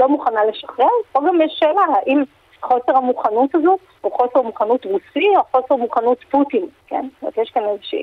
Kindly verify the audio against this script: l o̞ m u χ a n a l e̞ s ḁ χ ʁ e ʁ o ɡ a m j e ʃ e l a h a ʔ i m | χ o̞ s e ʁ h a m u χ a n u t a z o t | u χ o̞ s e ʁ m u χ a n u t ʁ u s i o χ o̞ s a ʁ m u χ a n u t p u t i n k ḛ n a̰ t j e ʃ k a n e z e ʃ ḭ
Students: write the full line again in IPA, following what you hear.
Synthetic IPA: l o̞ m u χ a n a l e̞ ʃ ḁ χ ʁ e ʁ o ɡ a m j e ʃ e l a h a ʔ i m | χ o̞ s e ʁ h a m u χ a n u t a z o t | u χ o̞ s e ʁ m u χ a n u t ʁ u s i o χ o̞ s e ʁ m u χ a n u t p u t i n k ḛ n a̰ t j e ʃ k a n e z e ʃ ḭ